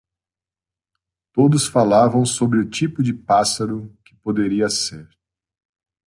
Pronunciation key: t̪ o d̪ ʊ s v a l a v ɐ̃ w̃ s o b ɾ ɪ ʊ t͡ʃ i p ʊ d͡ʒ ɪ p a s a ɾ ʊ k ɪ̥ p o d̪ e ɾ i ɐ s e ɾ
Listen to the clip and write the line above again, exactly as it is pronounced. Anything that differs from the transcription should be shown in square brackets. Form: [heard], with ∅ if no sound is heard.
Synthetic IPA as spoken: t̪ o d̪ ʊ s [f] a l a v ɐ̃ w̃ s o b ɾ ɪ ʊ t͡ʃ i p ʊ d͡ʒ ɪ p a s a ɾ ʊ k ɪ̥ p o d̪ e ɾ i ɐ s e ɾ